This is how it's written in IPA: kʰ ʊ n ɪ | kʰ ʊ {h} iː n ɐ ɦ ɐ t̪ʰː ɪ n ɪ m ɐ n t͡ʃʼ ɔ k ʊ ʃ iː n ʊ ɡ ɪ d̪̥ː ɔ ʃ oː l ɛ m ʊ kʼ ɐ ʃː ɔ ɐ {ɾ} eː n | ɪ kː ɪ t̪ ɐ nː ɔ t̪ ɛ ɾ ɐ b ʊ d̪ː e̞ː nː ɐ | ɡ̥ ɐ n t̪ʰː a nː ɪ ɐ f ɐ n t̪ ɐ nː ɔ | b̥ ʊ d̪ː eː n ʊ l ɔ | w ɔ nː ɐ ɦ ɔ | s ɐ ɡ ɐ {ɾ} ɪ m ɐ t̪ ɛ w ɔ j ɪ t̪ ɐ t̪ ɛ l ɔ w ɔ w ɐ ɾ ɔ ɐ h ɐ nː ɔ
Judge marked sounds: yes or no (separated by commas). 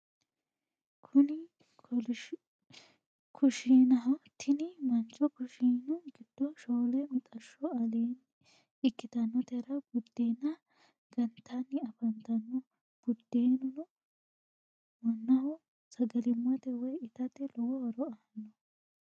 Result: no, no, no